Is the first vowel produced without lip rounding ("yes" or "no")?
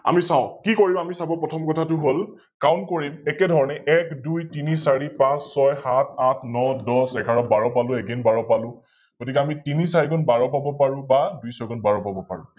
yes